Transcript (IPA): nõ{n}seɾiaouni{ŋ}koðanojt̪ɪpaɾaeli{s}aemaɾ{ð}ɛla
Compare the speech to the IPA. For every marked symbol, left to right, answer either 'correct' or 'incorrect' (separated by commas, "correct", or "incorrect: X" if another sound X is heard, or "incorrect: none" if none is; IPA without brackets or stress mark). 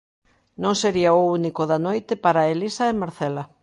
incorrect: ŋ, incorrect: none, correct, incorrect: θ